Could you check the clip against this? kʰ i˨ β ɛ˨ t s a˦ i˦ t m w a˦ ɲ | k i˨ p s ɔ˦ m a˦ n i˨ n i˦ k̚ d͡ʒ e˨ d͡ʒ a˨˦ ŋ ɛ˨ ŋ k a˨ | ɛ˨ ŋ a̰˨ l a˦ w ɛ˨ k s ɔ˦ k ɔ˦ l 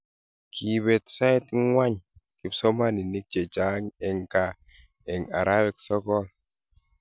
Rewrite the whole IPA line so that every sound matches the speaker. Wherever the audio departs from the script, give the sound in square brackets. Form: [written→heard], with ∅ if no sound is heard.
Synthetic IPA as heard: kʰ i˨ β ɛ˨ t s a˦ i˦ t [m→ŋ] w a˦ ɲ | k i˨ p s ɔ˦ m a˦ n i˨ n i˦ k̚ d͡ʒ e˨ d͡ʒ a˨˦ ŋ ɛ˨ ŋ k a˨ | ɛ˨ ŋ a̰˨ [l→ɾ] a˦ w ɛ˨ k s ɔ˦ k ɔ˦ l